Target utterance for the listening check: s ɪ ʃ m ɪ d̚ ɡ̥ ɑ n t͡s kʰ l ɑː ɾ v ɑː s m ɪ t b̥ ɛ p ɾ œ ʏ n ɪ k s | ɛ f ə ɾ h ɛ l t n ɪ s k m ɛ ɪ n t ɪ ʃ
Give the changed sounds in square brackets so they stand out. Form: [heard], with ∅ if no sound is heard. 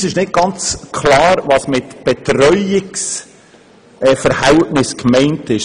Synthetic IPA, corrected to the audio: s ɪ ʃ [n] ɪ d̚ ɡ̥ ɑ n t͡s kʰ l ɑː ɾ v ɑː s m ɪ t b̥ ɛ [t] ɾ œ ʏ [∅] ɪ k s | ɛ f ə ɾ h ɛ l t n ɪ s k m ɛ ɪ n t ɪ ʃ